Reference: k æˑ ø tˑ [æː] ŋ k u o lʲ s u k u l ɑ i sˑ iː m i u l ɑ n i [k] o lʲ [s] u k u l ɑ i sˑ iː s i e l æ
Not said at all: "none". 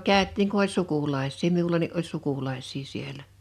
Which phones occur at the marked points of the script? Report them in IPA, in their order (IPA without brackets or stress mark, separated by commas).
iː, ʔ, s